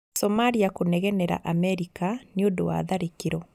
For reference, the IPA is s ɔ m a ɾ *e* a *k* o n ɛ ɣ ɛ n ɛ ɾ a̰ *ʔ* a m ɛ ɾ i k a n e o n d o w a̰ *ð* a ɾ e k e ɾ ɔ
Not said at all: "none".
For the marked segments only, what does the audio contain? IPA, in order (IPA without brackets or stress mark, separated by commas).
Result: i, k, ʔ, ð